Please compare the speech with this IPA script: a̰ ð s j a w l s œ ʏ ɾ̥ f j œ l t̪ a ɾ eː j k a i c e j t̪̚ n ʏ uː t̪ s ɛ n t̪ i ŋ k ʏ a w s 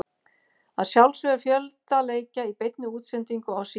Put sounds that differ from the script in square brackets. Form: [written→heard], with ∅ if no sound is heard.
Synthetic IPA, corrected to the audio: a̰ ð s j a w l s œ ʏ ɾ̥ f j œ l t̪ a [ɾ→l] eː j [k→c] a i [c→p] e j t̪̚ n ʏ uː t̪ s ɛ n t̪ i ŋ k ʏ a w s